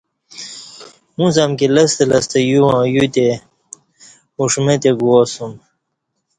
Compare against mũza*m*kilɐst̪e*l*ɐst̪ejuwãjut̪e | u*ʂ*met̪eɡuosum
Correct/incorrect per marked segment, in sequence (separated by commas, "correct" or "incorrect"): correct, correct, correct